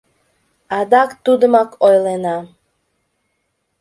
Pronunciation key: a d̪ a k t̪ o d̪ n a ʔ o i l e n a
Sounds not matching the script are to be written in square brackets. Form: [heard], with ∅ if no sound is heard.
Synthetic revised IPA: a d̪ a k t̪ [u] d̪ [m] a [k] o [j] l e n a